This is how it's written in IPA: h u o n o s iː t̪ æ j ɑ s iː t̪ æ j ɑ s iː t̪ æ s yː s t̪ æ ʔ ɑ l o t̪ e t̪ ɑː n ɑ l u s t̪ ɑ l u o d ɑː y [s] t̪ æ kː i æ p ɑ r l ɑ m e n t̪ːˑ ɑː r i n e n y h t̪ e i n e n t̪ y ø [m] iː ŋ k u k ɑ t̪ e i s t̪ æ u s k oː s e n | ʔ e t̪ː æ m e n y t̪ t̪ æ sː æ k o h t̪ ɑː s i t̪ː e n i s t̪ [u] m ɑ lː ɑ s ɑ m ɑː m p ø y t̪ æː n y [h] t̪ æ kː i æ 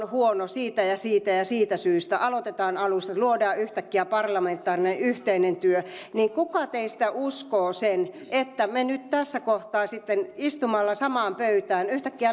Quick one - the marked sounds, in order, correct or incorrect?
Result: incorrect, incorrect, correct, correct

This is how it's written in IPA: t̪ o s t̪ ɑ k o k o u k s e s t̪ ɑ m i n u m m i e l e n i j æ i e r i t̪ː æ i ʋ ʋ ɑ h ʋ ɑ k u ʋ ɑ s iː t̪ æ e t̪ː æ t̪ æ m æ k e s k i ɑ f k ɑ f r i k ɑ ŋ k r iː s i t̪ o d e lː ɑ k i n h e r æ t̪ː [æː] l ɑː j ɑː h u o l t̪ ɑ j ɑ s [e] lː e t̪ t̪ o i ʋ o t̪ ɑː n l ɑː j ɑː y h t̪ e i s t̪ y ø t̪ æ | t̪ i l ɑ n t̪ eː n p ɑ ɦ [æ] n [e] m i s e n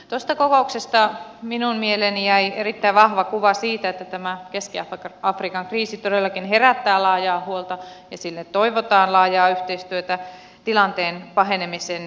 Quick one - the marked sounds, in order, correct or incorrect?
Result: correct, incorrect, incorrect, correct

